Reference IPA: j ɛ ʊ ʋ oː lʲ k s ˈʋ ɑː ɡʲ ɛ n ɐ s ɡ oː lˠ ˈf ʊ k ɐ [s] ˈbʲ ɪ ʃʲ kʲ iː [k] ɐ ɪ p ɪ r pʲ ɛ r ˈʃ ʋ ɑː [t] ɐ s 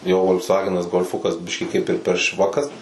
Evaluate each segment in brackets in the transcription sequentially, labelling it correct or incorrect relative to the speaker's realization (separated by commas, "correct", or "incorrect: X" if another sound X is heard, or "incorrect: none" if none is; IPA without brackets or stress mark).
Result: correct, correct, incorrect: k